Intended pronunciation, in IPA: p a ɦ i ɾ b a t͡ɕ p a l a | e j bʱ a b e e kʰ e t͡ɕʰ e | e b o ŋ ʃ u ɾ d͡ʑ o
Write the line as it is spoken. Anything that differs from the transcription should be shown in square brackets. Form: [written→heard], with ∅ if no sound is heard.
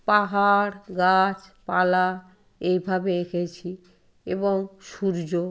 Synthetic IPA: p a ɦ [i→a] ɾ [b→ɡ] a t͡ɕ p a l a | e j bʱ a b e e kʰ e t͡ɕʰ [e→i] | e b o ŋ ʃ u ɾ d͡ʑ o